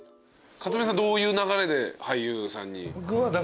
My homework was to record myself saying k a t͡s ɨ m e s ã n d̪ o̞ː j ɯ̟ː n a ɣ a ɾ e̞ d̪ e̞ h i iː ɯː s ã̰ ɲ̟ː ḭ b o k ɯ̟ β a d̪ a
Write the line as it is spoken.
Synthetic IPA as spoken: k a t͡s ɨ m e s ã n d̪ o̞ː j ɯ̟ː n a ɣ a ɾ e̞ d̪ e̞ h a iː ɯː s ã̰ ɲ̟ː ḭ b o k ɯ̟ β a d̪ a